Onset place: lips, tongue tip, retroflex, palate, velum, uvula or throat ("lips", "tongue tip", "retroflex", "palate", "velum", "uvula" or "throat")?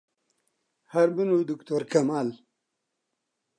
throat